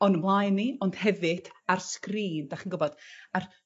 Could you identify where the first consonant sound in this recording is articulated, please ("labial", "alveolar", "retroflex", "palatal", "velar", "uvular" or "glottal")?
alveolar